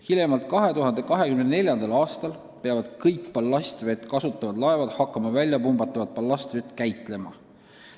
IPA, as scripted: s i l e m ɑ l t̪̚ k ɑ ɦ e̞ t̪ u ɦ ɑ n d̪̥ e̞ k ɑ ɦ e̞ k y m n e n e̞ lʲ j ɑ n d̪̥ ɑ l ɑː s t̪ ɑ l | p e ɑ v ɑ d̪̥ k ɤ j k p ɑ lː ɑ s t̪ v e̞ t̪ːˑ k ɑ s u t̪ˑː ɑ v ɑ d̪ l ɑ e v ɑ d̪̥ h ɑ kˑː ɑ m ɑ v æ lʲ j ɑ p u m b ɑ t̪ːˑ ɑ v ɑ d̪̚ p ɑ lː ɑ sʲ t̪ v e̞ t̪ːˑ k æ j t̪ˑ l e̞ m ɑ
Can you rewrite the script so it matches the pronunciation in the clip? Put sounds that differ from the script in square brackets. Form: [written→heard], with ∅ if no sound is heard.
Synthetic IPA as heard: [s→h] i l e m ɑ l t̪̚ k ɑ ɦ e̞ t̪ u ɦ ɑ n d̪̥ e̞ k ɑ ɦ e̞ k y m n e n e̞ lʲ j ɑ n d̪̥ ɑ l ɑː s t̪ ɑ l | p e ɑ v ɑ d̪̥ k ɤ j k p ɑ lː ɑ s t̪ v e̞ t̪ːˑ k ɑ s u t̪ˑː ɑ v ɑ d̪ l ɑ e v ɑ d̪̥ h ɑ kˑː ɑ m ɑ v æ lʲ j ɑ p u m b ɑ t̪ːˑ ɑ v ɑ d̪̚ p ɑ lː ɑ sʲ t̪ v e̞ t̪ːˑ k æ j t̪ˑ l e̞ m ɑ